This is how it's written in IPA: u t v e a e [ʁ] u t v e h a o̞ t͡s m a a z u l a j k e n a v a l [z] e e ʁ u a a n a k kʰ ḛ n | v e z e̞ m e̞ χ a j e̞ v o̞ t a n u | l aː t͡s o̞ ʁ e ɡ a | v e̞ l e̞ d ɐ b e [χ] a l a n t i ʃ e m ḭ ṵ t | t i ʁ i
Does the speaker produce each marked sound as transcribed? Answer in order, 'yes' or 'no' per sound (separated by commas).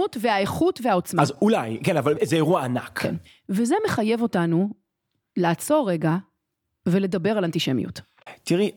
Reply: no, yes, no